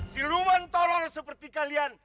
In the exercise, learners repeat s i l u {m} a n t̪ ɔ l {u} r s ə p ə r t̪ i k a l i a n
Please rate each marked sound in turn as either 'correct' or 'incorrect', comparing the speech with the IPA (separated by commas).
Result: correct, incorrect